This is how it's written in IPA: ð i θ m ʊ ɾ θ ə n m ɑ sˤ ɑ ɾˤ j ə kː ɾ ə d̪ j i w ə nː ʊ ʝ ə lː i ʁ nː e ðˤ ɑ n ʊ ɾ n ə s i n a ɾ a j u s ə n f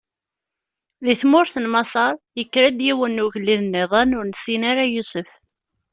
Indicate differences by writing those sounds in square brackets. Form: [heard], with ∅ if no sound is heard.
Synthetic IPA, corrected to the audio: ð i θ m ʊ ɾ θ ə n m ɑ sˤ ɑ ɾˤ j ə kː ɾ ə d̪ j i w ə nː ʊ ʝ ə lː i [ð] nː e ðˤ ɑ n ʊ ɾ n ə s i n a ɾ a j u s ə [∅] f